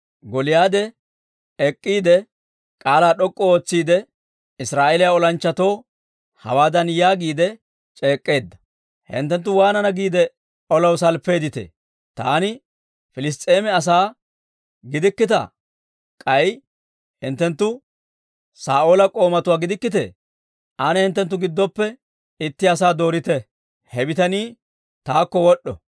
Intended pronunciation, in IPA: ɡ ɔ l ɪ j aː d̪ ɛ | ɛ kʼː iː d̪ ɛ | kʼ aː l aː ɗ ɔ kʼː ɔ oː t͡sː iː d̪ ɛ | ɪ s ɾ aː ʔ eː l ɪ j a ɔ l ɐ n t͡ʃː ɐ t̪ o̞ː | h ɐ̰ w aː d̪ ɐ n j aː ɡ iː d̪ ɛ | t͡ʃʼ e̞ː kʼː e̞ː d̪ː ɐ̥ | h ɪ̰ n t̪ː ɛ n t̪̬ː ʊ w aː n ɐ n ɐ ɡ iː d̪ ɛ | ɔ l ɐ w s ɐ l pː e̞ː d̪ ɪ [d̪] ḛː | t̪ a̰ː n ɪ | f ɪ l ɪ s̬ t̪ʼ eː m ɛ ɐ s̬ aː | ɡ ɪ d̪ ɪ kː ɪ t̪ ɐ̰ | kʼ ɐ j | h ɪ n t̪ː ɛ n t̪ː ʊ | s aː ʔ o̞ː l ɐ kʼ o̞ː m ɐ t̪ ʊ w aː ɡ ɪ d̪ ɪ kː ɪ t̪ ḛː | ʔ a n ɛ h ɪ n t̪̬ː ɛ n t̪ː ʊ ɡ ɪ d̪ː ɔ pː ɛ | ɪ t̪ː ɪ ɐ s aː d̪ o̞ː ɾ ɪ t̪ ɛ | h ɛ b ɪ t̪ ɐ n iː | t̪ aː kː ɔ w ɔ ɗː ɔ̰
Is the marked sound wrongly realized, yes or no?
yes